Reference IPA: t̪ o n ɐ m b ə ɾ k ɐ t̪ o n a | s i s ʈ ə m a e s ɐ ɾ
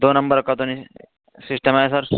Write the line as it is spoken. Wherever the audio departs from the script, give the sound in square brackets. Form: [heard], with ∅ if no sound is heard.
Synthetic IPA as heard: [d̪] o n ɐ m b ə ɾ k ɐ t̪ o n [i] | s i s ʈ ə m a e s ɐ ɾ

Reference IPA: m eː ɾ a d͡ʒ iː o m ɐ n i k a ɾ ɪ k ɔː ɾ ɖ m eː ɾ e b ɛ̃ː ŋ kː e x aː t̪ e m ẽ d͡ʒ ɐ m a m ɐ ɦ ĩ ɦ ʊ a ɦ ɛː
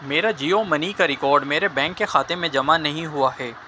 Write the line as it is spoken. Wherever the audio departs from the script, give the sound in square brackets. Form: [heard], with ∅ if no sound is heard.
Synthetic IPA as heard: m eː ɾ a d͡ʒ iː o m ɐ n i k a ɾ ɪ k ɔː ɾ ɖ m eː ɾ e b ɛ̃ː ŋ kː e x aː t̪ e m ẽ d͡ʒ ɐ m a [n] ɐ ɦ ĩ ɦ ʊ a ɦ ɛː

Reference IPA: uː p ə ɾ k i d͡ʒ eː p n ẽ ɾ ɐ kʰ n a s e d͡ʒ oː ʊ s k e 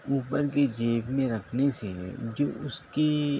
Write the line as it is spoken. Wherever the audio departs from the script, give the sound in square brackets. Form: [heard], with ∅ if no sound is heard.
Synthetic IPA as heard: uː p ə ɾ k [e] d͡ʒ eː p [m] ẽ ɾ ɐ kʰ n [e] s e d͡ʒ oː ʊ s k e

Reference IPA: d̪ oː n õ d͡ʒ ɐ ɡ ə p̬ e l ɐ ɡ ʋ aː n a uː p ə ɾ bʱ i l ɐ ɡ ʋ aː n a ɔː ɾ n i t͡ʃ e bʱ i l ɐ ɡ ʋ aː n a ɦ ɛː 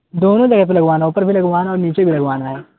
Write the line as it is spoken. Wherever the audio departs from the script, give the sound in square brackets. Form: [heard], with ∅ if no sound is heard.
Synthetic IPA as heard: d̪ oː n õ d͡ʒ ɐ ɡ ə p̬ e l ɐ ɡ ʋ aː n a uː p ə ɾ bʱ i l ɐ ɡ ʋ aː n a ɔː ɾ n [iː] t͡ʃ e bʱ i l ɐ ɡ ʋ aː n a ɦ ɛː

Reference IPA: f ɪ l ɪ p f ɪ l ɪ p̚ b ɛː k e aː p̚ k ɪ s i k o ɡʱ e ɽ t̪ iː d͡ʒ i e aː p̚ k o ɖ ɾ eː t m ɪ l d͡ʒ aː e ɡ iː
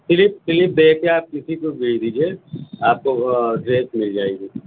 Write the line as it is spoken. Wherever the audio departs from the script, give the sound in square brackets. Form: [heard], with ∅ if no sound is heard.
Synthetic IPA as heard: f ɪ l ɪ p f ɪ l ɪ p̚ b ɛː k e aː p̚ k ɪ s i k o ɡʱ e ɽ [d̪] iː d͡ʒ i e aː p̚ k o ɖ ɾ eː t m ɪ l d͡ʒ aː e ɡ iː

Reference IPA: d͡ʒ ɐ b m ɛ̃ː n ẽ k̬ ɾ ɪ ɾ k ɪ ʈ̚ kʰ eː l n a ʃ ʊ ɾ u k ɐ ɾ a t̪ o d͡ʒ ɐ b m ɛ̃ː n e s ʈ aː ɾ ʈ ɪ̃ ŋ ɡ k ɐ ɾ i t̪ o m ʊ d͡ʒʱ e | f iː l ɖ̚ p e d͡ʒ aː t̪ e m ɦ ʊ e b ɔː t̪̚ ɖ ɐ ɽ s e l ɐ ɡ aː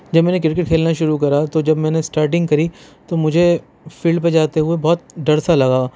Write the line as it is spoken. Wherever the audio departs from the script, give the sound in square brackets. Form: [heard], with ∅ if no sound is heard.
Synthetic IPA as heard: d͡ʒ ɐ b m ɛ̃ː n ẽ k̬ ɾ ɪ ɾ k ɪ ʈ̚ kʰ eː l n a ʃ ʊ ɾ u k ɐ ɾ a t̪ o d͡ʒ ɐ b m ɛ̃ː n e s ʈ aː ɾ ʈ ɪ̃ ŋ ɡ k ɐ ɾ i t̪ o m ʊ d͡ʒʱ e | f iː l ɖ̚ p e d͡ʒ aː t̪ e [∅] ɦ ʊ e b ɔː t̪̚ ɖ ɐ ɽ s [a] l ɐ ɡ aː

